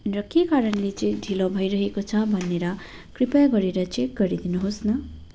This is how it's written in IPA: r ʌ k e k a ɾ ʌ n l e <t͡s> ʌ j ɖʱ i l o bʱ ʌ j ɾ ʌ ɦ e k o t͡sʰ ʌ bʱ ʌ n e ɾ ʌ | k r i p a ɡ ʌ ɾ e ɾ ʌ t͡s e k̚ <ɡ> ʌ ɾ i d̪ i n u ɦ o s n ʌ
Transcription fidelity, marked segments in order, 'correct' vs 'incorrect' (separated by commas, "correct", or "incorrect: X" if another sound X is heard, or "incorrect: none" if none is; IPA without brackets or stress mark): correct, correct